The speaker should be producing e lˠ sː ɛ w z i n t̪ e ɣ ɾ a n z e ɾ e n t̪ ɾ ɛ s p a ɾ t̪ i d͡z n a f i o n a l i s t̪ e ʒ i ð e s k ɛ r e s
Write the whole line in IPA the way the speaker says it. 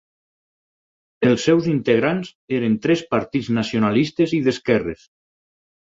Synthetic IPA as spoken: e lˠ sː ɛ w z i n t̪ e ɣ ɾ a n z e ɾ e n t̪ ɾ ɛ s p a ɾ t̪ i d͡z n a s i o n a l i s t̪ e z i ð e s k ɛ r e s